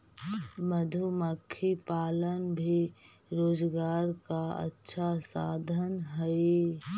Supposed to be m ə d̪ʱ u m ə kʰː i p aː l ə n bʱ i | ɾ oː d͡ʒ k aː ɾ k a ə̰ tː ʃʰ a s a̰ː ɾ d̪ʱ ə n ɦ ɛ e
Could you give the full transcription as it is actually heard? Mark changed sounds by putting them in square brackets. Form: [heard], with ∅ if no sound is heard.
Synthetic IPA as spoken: m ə d̪ʱ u m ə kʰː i p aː l ə n bʱ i | ɾ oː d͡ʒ [ɡ] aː ɾ k a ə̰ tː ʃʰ a s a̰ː [∅] d̪ʱ ə n ɦ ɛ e